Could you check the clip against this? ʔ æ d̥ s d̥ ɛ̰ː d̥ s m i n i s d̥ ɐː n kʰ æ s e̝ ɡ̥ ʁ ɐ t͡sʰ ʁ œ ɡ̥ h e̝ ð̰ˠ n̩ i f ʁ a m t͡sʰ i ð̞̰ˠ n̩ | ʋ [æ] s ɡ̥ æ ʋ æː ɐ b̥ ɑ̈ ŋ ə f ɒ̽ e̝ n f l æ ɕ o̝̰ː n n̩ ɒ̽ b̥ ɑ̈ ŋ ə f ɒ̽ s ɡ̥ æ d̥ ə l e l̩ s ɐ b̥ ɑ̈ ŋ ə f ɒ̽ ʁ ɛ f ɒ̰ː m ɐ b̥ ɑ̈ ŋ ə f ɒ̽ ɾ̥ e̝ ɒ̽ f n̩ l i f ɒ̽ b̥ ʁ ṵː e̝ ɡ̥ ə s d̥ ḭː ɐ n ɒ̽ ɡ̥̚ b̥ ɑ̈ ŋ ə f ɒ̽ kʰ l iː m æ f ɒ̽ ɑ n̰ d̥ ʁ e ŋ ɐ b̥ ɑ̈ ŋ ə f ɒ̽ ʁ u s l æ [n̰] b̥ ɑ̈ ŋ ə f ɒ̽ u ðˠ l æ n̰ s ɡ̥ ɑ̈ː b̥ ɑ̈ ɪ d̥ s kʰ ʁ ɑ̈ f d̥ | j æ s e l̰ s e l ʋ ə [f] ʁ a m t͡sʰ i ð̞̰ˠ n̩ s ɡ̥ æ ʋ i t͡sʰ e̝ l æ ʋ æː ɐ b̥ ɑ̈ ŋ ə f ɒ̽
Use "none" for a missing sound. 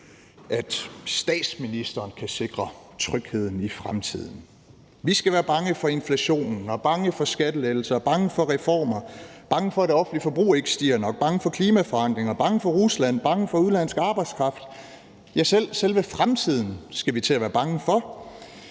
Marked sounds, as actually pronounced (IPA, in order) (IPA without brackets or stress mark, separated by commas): i, n̰, f